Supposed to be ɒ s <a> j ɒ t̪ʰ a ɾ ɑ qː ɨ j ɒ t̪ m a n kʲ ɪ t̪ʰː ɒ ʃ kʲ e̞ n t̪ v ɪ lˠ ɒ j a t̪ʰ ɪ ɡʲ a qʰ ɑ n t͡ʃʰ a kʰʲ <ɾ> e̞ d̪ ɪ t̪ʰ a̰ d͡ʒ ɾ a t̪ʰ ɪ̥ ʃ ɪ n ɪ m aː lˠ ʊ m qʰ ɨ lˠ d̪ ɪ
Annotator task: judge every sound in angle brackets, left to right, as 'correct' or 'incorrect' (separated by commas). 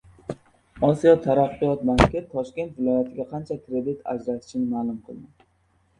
incorrect, correct